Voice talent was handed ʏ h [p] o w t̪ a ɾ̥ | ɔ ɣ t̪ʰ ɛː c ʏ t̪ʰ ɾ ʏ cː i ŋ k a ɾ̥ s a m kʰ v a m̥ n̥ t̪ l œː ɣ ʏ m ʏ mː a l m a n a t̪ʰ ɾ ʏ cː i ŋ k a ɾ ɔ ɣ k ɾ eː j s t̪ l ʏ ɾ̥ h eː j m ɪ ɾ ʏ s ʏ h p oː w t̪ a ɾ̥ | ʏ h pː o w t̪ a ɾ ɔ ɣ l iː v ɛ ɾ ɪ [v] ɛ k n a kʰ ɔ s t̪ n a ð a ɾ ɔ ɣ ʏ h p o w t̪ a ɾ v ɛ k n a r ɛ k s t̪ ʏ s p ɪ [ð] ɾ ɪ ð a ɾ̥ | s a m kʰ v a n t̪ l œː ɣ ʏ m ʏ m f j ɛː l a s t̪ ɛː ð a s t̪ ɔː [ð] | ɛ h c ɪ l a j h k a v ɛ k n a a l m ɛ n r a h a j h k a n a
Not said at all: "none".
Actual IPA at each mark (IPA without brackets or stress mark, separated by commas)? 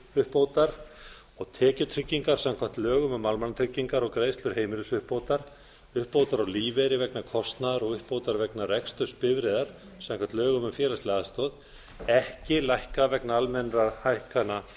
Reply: p, v, v, ð